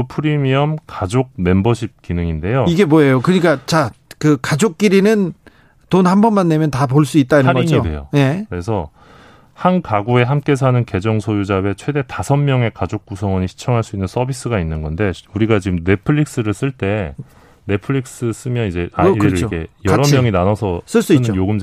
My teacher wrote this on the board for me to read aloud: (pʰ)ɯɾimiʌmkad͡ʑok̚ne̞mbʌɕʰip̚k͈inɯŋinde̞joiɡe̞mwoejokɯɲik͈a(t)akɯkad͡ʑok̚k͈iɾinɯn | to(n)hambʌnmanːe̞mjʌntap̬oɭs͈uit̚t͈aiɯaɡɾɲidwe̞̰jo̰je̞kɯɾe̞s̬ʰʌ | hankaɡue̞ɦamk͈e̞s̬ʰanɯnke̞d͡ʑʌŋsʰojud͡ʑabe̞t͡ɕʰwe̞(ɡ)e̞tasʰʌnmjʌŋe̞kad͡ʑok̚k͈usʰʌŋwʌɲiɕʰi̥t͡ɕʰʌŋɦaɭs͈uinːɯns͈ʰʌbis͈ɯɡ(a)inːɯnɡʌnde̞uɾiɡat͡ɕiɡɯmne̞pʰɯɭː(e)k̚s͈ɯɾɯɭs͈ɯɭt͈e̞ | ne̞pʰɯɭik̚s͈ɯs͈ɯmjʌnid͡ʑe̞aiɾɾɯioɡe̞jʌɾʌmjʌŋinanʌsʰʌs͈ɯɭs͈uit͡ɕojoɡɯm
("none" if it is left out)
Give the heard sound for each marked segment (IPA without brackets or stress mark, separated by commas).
pʰ, t͡ɕ, n, d, a, i